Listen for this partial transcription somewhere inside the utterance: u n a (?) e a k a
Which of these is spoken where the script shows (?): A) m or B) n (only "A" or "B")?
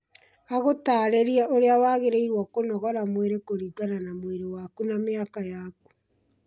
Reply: A